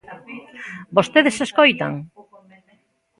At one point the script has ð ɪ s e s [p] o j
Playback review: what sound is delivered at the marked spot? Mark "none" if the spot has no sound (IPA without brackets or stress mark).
k